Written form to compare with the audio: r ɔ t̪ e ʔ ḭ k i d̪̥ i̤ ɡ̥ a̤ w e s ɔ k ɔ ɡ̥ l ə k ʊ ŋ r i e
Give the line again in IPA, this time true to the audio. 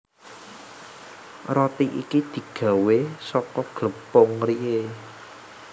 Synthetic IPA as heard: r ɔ t̪ i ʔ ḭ k i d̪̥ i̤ ɡ̥ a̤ w e s ɔ k ɔ ɡ̥ l ə p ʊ ŋ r i e

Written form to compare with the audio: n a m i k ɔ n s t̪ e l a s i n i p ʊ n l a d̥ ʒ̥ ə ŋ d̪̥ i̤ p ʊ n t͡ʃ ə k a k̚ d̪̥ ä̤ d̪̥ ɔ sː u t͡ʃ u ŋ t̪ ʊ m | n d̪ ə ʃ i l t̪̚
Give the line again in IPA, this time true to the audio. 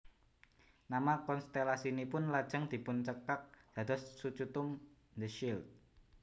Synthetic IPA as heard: n a m a k ɔ n s t̪ e l a s i n i p ʊ n l a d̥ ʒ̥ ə ŋ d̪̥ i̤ p ʊ n t͡ʃ ə k a k̚ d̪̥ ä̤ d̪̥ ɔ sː u t͡ʃ u t̪ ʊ m | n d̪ ə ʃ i l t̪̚

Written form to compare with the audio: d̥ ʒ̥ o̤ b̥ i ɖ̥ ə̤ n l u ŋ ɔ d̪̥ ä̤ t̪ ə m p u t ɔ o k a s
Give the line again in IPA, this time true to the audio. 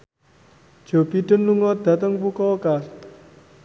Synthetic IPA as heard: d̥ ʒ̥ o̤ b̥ i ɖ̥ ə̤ n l u ŋ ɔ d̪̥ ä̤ t̪ ə ŋ p u k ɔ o k a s

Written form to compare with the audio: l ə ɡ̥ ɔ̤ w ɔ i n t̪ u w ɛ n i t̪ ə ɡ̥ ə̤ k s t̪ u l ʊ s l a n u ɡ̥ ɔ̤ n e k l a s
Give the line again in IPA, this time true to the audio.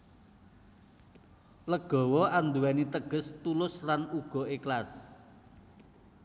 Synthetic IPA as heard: l ə ɡ̥ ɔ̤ w ɔ a n d̪ u w ɛ n i t̪ ə ɡ̥ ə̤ s t̪ u l ʊ s l a n u ɡ̥ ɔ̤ e k l a s

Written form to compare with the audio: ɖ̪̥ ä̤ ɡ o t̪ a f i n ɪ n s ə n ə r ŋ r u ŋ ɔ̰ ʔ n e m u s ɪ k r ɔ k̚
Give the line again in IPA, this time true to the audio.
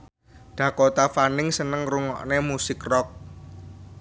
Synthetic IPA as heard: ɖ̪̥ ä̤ k o t̪ a f a n ɪ ŋ s ə n ə ŋ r u ŋ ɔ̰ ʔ n e m u s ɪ k r ɔ k̚

